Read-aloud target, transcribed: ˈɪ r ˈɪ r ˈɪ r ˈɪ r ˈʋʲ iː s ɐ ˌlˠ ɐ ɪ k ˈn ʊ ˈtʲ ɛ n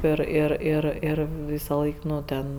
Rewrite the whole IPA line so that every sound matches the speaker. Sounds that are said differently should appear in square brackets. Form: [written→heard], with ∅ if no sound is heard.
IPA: ˈɪ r ˈɪ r ˈɪ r ˈɪ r ˈʋʲ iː s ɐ ˌlˠ ɐ ɪ k ˈn ʊ ˈtʲ ɛ n